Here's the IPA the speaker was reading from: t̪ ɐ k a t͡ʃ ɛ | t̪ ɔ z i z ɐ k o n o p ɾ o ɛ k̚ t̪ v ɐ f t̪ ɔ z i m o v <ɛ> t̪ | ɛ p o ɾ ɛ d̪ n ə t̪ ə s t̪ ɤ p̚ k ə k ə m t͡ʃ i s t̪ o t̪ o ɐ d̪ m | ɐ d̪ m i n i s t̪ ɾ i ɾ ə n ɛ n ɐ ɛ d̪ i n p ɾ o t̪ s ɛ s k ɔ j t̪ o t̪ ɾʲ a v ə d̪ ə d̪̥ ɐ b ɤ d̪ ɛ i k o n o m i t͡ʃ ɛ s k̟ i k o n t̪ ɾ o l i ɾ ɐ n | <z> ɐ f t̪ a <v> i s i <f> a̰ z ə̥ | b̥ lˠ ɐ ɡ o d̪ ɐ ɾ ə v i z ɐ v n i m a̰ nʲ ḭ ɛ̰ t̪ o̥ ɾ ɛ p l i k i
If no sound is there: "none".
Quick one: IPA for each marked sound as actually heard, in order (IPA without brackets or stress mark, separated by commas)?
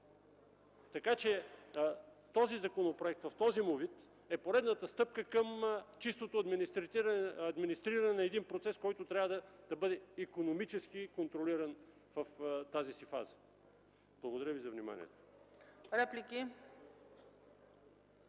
i, v, z, f